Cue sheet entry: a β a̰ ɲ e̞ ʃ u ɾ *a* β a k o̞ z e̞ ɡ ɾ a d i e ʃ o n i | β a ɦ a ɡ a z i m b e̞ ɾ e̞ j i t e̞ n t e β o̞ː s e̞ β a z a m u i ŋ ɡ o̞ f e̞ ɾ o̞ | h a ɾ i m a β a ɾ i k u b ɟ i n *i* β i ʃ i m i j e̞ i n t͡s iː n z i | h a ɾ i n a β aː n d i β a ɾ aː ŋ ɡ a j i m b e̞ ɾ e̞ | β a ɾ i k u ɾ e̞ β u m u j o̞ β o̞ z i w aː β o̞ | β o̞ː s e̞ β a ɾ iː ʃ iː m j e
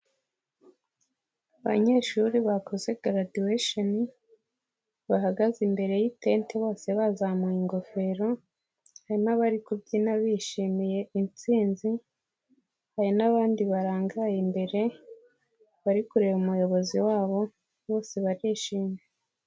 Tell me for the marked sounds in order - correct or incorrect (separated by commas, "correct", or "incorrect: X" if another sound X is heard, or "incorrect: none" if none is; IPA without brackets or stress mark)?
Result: incorrect: i, incorrect: a